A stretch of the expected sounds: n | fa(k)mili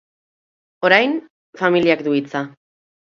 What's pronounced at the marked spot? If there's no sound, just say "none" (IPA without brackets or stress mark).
none